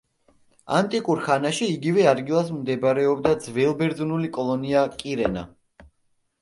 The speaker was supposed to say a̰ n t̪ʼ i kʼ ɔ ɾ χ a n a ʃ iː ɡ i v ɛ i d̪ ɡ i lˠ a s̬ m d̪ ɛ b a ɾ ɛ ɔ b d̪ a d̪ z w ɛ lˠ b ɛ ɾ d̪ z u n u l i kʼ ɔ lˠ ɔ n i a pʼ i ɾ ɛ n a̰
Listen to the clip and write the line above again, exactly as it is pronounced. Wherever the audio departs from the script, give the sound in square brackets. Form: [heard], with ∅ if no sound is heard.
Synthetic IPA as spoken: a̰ n t̪ʼ i kʼ [u] ɾ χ a n a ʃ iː ɡ i v ɛ [a] d̪ ɡ i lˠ a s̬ m d̪ ɛ b a ɾ ɛ ɔ b d̪ a d̪ z [v] ɛ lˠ b ɛ ɾ d̪ z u n u l i kʼ ɔ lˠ ɔ n i a [kʼ] i ɾ ɛ n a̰